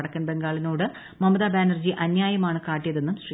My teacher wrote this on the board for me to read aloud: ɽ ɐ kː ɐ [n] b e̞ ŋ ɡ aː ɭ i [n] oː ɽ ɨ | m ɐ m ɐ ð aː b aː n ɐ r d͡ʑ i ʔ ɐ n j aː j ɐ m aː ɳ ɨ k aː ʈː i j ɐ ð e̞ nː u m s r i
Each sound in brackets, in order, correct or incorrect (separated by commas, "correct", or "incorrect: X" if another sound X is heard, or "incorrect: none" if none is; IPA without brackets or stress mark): correct, correct